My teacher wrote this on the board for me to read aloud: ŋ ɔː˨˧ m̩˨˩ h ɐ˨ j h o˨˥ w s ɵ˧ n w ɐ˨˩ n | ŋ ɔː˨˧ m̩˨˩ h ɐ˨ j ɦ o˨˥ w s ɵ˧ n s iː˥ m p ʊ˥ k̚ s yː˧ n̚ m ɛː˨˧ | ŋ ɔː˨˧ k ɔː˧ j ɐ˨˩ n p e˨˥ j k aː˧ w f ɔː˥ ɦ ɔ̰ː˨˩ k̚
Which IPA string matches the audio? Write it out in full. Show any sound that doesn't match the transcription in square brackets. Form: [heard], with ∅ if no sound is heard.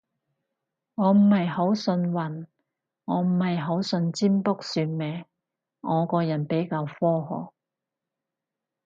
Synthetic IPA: ŋ ɔː˨˧ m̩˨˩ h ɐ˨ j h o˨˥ w s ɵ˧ n w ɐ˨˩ n | ŋ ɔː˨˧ m̩˨˩ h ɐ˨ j ɦ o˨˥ w s ɵ˧ n [t͡s] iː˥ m p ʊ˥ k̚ s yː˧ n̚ m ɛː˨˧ | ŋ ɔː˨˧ k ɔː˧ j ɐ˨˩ n p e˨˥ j k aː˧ w f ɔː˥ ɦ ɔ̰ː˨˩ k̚